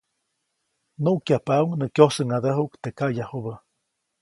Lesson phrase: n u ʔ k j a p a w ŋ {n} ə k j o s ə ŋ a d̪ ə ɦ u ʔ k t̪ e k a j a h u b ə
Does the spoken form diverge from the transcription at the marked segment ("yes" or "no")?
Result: no